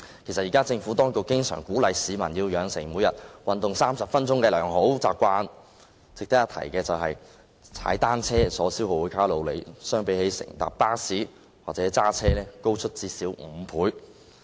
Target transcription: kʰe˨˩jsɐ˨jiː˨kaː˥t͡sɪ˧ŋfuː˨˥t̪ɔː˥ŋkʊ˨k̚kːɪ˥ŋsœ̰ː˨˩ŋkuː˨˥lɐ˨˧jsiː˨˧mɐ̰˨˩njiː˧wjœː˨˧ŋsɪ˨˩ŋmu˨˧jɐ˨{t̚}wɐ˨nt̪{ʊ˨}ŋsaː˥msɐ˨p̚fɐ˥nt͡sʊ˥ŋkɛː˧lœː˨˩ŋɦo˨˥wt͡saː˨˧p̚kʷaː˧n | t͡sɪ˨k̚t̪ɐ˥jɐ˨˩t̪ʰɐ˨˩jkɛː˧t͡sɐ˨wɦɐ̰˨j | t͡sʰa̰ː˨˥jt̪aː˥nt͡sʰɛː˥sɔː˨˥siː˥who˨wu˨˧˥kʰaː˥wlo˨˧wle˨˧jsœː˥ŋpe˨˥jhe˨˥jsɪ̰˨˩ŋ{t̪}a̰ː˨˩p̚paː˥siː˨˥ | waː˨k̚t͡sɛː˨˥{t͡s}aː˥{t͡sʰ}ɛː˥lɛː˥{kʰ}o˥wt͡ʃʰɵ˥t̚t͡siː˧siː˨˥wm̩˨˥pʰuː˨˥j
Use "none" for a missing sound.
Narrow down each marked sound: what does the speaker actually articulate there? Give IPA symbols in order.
t̚, ʊ˨, t̪, t͡s, t͡sʰ, k

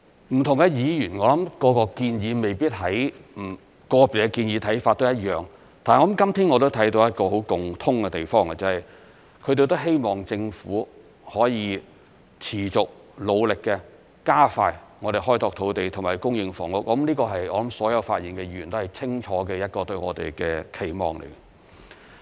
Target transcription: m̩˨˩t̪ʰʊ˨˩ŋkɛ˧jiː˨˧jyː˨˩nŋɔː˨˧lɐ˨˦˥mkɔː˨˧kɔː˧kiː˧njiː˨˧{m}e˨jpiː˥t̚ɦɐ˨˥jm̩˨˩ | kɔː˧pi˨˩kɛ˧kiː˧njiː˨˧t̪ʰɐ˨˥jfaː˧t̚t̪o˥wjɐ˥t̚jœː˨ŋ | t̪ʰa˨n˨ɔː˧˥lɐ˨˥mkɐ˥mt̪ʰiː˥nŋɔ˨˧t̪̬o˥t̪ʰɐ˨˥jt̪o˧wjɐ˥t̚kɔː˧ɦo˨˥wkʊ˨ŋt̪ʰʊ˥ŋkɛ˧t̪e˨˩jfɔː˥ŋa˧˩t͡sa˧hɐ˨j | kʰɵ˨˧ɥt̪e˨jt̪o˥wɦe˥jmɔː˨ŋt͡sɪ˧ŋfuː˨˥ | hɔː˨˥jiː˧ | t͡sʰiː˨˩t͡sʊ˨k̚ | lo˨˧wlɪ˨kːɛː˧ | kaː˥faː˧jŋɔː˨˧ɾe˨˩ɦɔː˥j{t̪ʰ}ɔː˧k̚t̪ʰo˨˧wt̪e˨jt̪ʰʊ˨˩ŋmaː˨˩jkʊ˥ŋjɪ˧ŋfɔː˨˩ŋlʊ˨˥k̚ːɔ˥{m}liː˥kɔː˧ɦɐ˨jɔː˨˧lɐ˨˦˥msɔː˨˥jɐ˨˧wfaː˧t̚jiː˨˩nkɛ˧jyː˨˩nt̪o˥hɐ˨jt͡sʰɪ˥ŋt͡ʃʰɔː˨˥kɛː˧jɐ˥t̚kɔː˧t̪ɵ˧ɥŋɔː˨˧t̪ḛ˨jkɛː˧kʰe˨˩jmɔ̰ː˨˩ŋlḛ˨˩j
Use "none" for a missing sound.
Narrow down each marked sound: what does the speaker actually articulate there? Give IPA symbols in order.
m, t̪, m

